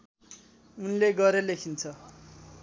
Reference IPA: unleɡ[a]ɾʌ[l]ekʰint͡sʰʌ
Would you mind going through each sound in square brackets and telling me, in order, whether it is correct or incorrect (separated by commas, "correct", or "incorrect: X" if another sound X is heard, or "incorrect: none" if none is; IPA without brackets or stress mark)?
incorrect: ʌ, correct